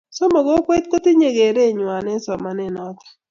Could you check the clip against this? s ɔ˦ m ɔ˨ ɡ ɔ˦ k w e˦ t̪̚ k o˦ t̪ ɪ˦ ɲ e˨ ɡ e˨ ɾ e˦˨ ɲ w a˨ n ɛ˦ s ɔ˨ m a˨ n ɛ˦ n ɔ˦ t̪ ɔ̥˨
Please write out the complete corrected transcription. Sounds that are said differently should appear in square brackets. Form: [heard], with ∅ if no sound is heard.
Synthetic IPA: s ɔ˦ m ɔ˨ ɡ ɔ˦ k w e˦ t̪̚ k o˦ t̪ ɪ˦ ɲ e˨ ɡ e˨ ɾ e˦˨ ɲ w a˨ n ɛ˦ s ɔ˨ m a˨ n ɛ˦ n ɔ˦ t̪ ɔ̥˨